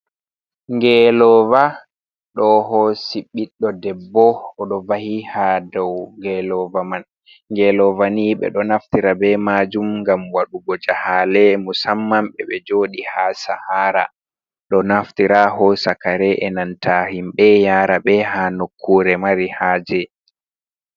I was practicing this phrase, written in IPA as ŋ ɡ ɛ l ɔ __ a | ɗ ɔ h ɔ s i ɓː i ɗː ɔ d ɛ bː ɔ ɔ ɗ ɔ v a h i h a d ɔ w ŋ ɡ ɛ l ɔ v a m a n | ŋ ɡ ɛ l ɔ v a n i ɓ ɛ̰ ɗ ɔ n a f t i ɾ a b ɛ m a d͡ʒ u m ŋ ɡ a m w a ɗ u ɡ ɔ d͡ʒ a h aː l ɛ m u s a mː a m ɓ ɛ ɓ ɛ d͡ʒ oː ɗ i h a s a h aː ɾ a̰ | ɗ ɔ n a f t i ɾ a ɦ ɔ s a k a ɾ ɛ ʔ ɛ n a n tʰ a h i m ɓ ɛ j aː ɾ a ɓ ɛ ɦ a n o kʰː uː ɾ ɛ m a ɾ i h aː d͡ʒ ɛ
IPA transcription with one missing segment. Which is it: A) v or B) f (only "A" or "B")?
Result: A